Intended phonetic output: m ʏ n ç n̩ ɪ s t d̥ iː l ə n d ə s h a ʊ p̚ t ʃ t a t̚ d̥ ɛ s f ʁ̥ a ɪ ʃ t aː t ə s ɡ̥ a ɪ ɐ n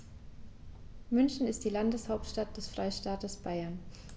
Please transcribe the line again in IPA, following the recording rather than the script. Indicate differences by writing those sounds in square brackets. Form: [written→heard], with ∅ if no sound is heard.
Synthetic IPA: m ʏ n ç n̩ ɪ s t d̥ iː l [ə→a] n d ə s h a ʊ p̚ t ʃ t a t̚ d̥ ɛ s f ʁ̥ a ɪ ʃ t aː t ə s [ɡ̥→b̥] a ɪ ɐ n